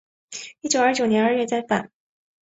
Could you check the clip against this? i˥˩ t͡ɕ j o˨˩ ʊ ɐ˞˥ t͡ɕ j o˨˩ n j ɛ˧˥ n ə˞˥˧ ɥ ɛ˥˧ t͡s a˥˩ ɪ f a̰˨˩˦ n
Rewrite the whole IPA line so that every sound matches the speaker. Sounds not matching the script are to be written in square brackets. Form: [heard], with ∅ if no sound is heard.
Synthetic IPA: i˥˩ t͡ɕ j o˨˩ ʊ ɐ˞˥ t͡ɕ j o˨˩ n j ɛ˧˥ n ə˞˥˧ ɥ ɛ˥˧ t͡s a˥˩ ɪ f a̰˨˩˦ n